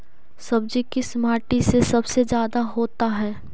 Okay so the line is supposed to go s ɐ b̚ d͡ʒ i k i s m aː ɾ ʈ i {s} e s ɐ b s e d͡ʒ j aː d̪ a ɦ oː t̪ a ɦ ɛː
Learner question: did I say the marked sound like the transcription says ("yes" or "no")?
yes